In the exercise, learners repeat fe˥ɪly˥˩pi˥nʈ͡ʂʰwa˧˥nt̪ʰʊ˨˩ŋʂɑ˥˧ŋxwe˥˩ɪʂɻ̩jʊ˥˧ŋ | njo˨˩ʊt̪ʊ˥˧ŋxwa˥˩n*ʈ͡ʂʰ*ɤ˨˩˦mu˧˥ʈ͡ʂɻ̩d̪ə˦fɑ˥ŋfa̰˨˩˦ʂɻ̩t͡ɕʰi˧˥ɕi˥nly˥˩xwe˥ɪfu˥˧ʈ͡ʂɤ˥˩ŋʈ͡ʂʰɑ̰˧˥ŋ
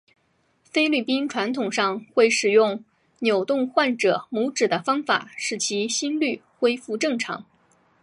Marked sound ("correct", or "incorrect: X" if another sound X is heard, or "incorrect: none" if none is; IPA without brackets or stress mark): incorrect: ʈ͡ʂ